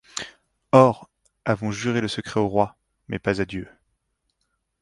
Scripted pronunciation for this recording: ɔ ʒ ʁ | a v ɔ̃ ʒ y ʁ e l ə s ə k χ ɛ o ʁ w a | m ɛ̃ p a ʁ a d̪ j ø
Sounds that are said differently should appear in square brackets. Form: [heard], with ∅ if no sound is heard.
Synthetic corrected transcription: ɔ [∅] ʁ | a v ɔ̃ ʒ y ʁ e l ə s ə k χ ɛ o ʁ w a | m [ɛ] p a [z] a d̪ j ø